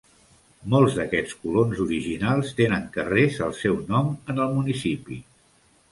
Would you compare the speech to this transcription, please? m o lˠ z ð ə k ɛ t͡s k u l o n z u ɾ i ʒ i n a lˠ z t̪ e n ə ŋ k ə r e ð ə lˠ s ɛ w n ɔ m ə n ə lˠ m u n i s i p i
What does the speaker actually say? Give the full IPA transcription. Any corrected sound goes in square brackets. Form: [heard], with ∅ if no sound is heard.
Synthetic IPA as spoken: m o lˠ z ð ə k ɛ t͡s k u l o n z u ɾ i ʒ i n a lˠ [s] t̪ e n ə ŋ k ə r e [z] ə lˠ s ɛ w n ɔ m ə n ə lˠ m u n i s i p i